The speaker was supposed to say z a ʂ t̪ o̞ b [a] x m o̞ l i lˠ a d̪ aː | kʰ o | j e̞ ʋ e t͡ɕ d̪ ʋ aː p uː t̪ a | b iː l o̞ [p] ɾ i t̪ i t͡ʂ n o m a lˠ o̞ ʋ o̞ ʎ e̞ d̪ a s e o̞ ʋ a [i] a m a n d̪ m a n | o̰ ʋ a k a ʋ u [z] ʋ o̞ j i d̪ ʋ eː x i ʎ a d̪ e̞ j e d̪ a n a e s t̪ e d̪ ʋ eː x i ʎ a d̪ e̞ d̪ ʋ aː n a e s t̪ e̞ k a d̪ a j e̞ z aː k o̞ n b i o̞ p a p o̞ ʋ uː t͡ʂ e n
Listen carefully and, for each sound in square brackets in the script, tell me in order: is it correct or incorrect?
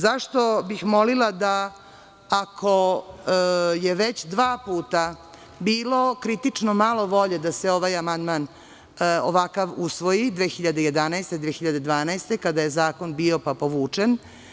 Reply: incorrect: i, incorrect: k, incorrect: j, incorrect: s

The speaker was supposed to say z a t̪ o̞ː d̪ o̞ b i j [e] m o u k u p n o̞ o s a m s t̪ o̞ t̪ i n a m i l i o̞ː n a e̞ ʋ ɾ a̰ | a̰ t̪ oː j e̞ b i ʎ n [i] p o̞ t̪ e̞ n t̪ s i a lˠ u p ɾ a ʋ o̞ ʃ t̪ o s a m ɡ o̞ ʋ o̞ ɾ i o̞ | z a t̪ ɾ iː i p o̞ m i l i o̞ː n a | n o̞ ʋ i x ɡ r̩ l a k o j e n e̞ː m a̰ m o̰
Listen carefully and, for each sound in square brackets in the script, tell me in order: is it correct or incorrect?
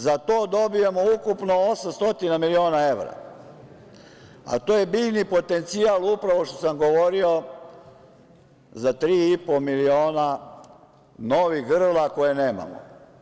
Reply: correct, correct

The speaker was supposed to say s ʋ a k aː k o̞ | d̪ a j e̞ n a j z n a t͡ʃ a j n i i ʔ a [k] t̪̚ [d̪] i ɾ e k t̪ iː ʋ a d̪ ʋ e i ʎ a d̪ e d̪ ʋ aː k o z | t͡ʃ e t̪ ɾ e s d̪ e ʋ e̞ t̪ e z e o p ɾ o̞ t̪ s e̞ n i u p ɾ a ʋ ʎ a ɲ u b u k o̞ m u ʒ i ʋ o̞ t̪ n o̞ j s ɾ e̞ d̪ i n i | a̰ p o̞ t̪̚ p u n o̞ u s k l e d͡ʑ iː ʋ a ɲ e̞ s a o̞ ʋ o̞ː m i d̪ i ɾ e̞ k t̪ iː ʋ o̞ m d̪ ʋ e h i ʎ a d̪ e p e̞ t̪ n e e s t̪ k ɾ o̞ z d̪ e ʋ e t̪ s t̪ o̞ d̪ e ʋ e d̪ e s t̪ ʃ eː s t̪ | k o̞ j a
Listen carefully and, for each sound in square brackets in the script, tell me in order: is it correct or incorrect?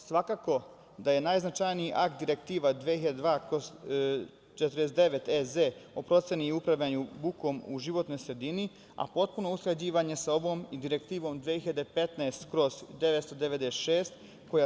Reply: correct, correct

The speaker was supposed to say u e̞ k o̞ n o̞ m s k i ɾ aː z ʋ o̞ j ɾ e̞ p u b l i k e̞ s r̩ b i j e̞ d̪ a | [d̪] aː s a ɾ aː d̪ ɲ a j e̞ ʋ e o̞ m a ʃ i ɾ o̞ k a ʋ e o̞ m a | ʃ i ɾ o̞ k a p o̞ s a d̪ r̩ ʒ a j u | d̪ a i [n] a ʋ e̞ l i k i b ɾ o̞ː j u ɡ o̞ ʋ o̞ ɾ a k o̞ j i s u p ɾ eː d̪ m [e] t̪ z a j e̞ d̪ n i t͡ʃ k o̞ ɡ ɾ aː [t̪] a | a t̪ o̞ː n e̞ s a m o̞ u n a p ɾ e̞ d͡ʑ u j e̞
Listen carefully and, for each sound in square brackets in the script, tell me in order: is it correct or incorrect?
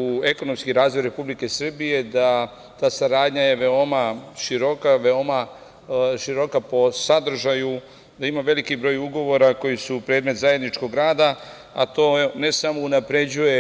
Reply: incorrect: t̪, incorrect: m, correct, incorrect: d̪

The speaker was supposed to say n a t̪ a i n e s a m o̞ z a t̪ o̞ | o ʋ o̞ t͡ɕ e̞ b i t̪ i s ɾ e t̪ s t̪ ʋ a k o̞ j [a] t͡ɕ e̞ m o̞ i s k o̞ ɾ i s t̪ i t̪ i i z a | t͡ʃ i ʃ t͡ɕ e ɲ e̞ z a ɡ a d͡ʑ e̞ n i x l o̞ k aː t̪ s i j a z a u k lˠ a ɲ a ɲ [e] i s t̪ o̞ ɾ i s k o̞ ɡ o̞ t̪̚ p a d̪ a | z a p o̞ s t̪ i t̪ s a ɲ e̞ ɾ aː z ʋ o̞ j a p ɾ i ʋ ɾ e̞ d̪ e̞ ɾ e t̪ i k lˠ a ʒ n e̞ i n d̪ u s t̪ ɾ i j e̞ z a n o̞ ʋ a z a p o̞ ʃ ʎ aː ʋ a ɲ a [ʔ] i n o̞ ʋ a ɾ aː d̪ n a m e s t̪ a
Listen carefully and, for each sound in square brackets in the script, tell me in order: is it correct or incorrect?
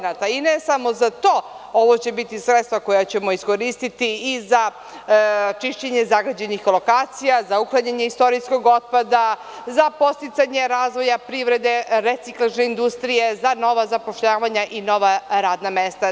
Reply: correct, correct, correct

